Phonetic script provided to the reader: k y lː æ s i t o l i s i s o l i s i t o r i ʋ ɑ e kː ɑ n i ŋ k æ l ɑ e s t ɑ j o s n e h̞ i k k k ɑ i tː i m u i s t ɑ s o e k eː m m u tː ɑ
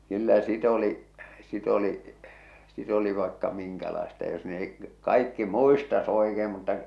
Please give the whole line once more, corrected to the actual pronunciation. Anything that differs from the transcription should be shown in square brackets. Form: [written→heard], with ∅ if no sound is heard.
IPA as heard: k y lː æ s i t o l i s i [s→t] o l i s i t o [r→l] i ʋ ɑ e kː ɑ [n→m] i ŋ k æ l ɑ e s t ɑ j o s n e h̞ i k k k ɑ i [tː→kː] i m u i s t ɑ s o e k eː m m u tː ɑ